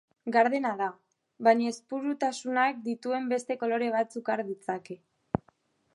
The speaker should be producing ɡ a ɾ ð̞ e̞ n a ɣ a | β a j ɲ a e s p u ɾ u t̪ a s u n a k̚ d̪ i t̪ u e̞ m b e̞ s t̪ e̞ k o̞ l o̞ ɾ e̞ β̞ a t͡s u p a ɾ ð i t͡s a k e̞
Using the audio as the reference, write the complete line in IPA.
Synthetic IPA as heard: ɡ a ɾ ð̞ e̞ n a ð a | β a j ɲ a e s p u ɾ u t̪ a s u n a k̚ d̪ i t̪ u e̞ m b e̞ s t̪ e̞ k o̞ l o̞ ɾ e̞ β̞ a t͡s u k a ɾ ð i t͡s a k e̞